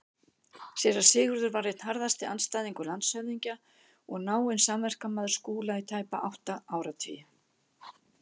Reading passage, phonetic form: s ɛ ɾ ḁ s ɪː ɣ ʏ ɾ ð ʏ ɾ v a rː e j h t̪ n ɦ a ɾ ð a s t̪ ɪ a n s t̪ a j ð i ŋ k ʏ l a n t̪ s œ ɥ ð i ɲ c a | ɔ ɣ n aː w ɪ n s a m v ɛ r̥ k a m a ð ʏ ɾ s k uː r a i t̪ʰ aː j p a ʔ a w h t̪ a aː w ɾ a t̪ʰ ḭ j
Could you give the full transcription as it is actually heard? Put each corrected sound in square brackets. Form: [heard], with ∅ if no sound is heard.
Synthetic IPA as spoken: s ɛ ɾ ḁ s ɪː ɣ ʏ ɾ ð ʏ ɾ v a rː e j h t̪ n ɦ a ɾ ð a s t̪ ɪ a n s t̪ a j ð i ŋ k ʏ l a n t̪ s œ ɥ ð i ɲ c a | ɔ ɣ n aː w ɪ n s a m v ɛ r̥ k a m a ð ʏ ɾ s k uː [l] a i t̪ʰ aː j p a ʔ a w h t̪ a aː w ɾ a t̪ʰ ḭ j